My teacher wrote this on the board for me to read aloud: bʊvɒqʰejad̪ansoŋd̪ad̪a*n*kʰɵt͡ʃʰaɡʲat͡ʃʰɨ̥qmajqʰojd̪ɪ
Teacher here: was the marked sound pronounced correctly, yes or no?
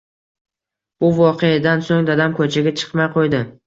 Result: no